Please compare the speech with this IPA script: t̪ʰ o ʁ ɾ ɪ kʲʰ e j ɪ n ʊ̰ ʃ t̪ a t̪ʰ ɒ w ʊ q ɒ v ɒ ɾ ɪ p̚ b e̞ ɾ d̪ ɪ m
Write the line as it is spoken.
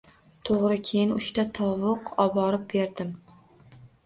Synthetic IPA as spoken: t̪ʰ o ʁ ɾ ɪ kʲʰ e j ɪ n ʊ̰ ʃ t̪ a t̪ʰ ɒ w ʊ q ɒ b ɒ ɾ ɪ p̚ b e̞ ɾ d̪ ɪ m